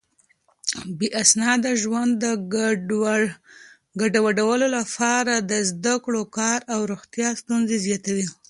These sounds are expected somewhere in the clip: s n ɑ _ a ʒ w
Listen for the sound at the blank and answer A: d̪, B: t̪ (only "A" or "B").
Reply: A